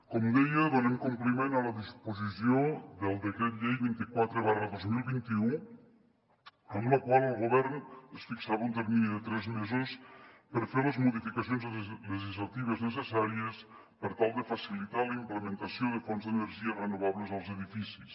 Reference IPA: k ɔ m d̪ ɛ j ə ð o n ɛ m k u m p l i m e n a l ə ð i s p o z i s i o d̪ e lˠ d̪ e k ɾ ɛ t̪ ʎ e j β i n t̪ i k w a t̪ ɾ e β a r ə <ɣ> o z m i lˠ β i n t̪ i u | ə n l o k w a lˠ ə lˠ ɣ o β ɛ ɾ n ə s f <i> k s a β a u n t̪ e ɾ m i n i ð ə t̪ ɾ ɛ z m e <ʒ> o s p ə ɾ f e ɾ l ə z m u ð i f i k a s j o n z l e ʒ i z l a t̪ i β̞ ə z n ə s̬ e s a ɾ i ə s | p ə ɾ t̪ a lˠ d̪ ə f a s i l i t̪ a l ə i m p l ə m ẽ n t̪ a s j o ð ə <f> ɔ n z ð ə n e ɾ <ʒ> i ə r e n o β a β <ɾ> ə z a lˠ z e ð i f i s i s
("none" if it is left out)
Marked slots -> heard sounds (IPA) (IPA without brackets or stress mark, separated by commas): ð, i, z, f, ʒ, l